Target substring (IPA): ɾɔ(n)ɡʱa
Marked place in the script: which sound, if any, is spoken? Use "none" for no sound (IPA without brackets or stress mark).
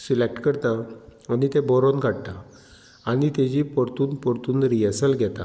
n